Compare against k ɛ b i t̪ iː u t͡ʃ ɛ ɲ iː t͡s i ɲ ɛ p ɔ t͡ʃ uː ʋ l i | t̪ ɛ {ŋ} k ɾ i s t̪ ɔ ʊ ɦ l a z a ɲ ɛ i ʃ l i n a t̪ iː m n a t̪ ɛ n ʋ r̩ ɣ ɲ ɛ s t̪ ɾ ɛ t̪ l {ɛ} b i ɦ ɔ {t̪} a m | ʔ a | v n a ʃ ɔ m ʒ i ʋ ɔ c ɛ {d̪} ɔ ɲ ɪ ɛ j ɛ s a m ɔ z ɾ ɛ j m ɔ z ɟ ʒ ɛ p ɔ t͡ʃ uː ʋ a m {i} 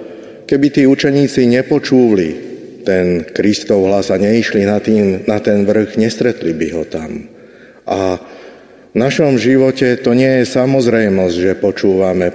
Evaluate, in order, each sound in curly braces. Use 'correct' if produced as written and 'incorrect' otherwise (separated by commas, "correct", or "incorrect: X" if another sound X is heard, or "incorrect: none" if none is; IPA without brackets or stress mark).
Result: incorrect: n, incorrect: i, correct, incorrect: t̪, incorrect: ɛ